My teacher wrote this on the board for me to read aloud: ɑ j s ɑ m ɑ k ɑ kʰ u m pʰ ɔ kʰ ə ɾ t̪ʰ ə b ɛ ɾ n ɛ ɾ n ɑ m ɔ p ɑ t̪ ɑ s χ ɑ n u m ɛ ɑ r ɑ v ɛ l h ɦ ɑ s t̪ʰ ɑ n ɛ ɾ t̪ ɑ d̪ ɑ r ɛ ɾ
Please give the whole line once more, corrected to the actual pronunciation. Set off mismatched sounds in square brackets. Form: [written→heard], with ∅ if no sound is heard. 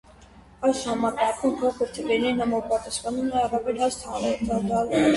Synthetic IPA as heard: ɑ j s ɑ m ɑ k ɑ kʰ u m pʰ ɔ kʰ ə ɾ t̪ʰ ə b ɛ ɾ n ɛ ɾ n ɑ m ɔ p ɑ t̪ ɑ s χ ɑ n u m ɛ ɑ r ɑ v ɛ l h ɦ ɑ s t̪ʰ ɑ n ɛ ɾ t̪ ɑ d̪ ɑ [r→l] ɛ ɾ